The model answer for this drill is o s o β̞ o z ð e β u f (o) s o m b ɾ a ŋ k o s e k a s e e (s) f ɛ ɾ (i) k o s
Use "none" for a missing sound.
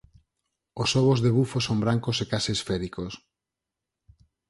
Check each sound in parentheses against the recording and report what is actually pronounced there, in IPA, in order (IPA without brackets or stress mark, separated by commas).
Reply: o, s, i